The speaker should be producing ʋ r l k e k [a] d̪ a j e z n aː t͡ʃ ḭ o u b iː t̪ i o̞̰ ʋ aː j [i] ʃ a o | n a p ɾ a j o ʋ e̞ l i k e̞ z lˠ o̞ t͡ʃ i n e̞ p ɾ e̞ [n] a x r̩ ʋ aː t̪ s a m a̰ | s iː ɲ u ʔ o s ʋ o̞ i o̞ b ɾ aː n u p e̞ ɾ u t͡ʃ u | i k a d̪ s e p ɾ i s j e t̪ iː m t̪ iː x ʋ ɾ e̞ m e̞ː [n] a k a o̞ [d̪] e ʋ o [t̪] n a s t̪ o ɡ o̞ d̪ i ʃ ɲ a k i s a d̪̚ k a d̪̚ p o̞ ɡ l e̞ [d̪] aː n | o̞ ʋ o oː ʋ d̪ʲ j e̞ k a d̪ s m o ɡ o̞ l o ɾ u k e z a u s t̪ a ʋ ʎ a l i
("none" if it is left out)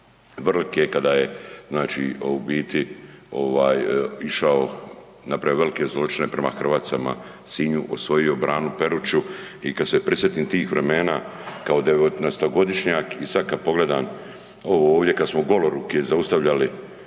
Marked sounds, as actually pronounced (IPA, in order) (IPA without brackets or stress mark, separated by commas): a, i, m, n, d̪, t̪, d̪